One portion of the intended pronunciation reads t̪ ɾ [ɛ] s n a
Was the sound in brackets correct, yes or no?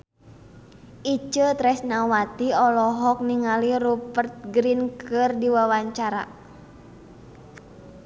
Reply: yes